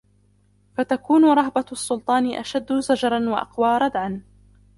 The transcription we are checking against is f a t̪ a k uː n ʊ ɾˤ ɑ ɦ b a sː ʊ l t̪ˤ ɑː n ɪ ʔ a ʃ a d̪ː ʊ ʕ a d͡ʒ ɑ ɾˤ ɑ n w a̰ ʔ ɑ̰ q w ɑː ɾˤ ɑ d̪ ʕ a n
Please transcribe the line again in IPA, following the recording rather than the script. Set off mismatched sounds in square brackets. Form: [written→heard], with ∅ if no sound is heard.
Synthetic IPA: f a t̪ a k uː n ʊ ɾˤ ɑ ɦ b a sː ʊ l t̪ˤ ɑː n ɪ ʔ a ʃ a d̪ː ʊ [ʕ→z] a d͡ʒ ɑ ɾˤ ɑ n w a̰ ʔ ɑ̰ q w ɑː ɾˤ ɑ d̪ ʕ a n